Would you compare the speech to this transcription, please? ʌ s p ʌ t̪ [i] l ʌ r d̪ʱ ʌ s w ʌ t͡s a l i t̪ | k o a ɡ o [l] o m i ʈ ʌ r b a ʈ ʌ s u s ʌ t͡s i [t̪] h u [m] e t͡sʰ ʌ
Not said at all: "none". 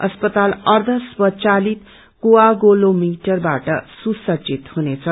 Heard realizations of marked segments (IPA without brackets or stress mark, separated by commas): a, l, t̪, n